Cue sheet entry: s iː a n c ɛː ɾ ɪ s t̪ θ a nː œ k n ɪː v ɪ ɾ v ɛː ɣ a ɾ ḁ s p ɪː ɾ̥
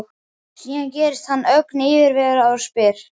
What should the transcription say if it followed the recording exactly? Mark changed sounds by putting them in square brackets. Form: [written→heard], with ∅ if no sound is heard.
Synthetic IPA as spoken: s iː a n c ɛː ɾ ɪ s t̪ [θ→h] a nː œ k n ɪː v ɪ ɾ v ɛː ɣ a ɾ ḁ s p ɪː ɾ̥